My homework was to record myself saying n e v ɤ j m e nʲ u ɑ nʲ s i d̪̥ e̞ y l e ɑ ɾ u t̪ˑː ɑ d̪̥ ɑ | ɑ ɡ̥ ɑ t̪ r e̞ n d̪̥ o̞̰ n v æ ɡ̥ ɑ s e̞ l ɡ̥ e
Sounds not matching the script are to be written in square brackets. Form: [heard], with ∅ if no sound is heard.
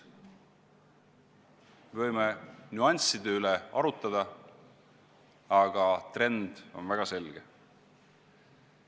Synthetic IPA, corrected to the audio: [m] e v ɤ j m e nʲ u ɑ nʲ s i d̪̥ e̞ y l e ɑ ɾ u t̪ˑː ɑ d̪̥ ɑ | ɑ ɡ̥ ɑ t̪ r e̞ n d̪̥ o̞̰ n v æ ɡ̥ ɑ s e̞ l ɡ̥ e